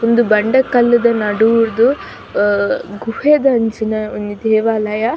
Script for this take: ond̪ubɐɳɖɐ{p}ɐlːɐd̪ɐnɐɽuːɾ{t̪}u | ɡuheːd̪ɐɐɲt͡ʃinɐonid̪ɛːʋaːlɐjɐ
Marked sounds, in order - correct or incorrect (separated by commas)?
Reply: incorrect, incorrect